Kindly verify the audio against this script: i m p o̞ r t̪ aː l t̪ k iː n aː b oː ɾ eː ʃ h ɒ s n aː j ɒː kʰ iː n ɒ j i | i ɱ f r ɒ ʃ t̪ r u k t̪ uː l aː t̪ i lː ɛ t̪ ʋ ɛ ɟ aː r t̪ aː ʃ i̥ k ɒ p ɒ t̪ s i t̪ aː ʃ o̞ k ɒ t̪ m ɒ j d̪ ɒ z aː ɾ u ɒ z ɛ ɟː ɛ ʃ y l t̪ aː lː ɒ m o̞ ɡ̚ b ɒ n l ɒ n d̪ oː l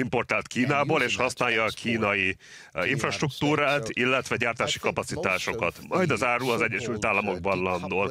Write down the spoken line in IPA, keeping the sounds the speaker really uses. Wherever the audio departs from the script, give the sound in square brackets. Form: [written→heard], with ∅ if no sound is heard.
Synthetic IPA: i m p o̞ r t̪ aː l t̪ k iː n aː b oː [ɾ→l] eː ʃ h ɒ s n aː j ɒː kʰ iː n ɒ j i | i ɱ f r ɒ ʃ t̪ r u k t̪ uː [l→ɾ] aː t̪ i lː ɛ t̪ ʋ ɛ ɟ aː r t̪ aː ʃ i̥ k ɒ p ɒ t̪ s i t̪ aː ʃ o̞ k ɒ t̪ m ɒ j d̪ ɒ z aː ɾ u ɒ z ɛ ɟː ɛ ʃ y l t̪ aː lː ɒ m o̞ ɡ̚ b ɒ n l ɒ n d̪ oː l